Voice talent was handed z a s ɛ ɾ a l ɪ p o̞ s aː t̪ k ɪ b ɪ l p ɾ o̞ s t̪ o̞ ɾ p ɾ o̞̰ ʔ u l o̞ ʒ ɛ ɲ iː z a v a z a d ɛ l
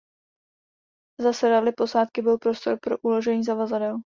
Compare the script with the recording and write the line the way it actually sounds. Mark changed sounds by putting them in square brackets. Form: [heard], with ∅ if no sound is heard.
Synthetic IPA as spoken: z a s ɛ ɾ a l ɪ p o̞ s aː t̪ k ɪ b ɪ l p ɾ o̞ s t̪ o̞ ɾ p ɾ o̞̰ ʔ u l o̞ ʒ ɛ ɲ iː z a v a z a d ɛ l